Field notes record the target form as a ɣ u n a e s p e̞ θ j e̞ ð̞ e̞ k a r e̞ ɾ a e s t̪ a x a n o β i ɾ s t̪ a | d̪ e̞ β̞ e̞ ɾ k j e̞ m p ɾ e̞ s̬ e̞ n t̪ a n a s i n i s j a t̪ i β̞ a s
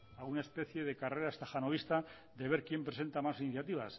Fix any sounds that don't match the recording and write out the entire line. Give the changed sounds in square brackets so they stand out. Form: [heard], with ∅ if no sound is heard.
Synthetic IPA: a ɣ u n a e s p e̞ θ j e̞ ð̞ e̞ k a r e̞ ɾ a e s t̪ a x a n o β i [∅] s t̪ a | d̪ e̞ β̞ e̞ ɾ k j e̞ m p ɾ e̞ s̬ e̞ n t̪ a [m] a s i n i [θ] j a t̪ i β̞ a s